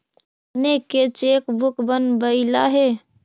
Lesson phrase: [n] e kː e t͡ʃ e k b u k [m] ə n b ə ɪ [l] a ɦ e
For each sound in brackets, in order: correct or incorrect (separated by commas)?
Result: correct, incorrect, correct